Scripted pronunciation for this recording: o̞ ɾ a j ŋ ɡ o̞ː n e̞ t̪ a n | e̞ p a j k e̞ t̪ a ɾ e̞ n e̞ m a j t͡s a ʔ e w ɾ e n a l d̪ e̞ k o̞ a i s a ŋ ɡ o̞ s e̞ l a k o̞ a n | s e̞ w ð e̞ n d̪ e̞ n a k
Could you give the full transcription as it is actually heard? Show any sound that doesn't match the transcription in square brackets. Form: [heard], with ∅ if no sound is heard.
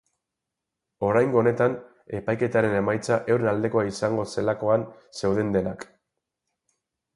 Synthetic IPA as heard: o̞ ɾ a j ŋ ɡ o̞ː n e̞ t̪ a n | e̞ p a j k e̞ t̪ a ɾ e̞ n e̞ m a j t͡s a ʔ e w ɾ e n a l d̪ e̞ k o̞ a i s a ŋ ɡ o̞ s e̞ l a k o̞ a n | s e̞ w ð e̞ n d̪ e̞ n a k